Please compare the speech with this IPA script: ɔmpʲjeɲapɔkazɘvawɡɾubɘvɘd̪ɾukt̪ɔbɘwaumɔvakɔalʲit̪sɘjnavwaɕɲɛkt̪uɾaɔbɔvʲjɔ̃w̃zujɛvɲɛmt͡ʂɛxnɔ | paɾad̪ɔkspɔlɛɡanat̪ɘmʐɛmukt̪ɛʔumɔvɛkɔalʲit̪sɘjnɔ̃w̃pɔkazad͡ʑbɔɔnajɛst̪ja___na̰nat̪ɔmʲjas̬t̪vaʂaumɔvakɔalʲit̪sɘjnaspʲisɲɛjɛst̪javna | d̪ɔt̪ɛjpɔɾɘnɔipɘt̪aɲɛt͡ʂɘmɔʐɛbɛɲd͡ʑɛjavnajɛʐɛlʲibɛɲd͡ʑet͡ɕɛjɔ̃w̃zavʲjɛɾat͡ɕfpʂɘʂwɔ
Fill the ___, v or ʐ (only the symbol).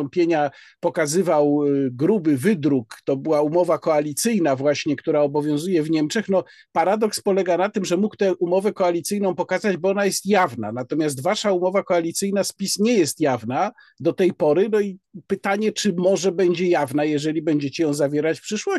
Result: v